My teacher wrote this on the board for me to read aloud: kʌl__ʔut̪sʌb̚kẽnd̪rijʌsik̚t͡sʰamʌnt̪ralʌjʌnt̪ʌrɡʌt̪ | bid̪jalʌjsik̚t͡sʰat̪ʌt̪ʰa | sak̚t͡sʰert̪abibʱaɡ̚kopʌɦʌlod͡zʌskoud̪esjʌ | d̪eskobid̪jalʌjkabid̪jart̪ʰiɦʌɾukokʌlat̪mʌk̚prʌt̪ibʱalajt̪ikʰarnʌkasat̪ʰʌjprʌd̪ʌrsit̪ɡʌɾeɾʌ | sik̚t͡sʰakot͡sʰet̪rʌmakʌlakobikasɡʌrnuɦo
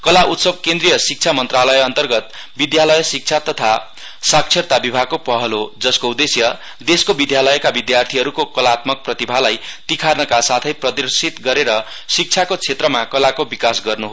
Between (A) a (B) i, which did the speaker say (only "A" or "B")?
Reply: A